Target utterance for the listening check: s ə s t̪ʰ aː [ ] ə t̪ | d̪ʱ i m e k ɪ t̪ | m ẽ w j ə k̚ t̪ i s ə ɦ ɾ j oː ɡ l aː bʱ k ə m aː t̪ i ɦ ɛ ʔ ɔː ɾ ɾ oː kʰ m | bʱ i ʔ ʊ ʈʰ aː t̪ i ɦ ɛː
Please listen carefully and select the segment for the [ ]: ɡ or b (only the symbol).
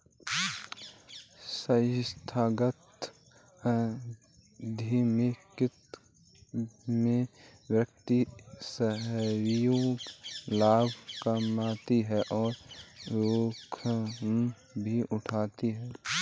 ɡ